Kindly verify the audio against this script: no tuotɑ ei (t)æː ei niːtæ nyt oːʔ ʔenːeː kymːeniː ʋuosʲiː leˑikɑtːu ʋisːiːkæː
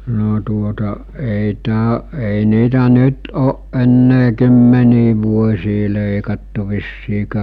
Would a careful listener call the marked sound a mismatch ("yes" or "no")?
no